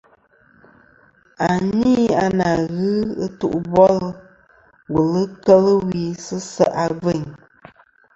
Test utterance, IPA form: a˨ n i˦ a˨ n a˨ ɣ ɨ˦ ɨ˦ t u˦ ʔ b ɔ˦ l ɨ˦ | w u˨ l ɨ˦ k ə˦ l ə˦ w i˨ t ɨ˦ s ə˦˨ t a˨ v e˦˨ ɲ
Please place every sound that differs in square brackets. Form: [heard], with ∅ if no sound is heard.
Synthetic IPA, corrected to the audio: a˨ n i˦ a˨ n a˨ ɣ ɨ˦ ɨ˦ t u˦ ʔ b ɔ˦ l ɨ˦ | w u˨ l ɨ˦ k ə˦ l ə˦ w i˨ [s] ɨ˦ s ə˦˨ [ʔ] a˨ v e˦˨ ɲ